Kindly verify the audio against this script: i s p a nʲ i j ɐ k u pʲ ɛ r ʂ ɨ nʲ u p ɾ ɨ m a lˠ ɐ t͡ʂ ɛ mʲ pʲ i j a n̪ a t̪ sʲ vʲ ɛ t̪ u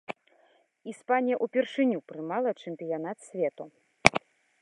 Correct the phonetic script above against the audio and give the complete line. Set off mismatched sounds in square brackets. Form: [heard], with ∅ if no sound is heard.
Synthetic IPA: i s p a nʲ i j ɐ [ʔ] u pʲ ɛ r ʂ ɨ nʲ u p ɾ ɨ m a lˠ ɐ t͡ʂ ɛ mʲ pʲ i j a n̪ a t̪ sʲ vʲ ɛ t̪ u